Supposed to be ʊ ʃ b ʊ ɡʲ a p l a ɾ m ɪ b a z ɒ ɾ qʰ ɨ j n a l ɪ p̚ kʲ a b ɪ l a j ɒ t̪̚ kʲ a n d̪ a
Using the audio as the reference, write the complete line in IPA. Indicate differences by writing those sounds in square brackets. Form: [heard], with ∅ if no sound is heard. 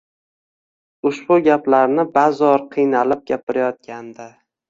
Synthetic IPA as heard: ʊ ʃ b ʊ ɡʲ a p l a ɾ [n] ɪ b a z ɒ ɾ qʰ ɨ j n a l ɪ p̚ [ɡʲ] a [p] ɪ [ɾ] a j ɒ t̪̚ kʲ a n d̪ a